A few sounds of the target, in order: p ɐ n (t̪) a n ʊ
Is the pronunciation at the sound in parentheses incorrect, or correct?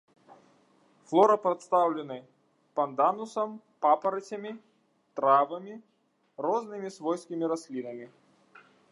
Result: incorrect